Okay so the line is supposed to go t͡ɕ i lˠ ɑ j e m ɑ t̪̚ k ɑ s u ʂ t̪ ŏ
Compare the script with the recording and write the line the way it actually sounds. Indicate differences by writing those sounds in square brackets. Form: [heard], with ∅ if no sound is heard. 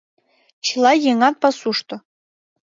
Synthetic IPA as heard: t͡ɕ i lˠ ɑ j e [ŋ] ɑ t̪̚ [p] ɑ s u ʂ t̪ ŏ